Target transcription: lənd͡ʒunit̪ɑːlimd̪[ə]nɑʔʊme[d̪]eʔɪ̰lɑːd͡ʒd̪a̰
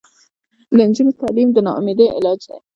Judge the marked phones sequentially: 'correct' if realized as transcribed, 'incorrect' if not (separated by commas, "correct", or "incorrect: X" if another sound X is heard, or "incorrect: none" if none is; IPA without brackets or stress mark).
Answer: correct, correct